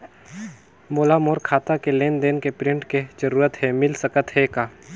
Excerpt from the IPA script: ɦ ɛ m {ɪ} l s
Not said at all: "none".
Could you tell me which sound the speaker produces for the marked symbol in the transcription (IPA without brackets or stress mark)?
ɪ